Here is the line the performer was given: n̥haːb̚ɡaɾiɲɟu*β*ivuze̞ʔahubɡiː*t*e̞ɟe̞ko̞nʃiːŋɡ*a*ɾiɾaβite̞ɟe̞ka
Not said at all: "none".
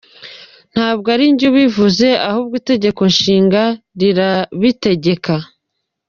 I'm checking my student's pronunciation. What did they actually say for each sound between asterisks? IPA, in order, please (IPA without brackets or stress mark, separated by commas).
β, t, a